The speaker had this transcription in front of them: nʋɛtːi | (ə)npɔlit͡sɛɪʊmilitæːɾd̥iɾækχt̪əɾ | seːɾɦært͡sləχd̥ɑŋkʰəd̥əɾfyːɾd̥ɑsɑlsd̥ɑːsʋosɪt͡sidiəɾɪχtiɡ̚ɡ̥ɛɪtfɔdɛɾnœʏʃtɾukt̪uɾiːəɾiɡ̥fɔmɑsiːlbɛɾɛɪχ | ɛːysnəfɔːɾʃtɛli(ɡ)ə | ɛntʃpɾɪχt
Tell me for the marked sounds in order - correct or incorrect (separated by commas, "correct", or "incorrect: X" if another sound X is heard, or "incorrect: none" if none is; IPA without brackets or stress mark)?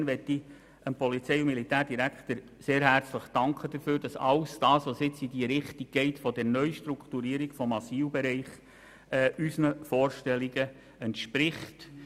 correct, correct